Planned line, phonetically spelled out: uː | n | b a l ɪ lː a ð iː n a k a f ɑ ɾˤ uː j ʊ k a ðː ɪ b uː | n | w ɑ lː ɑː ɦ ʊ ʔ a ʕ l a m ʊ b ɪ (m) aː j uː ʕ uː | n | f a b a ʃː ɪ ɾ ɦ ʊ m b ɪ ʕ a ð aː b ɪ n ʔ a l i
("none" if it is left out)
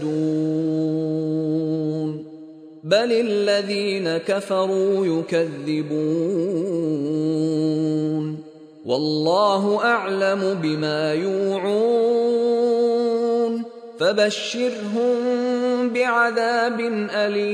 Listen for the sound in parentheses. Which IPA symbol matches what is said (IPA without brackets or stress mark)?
m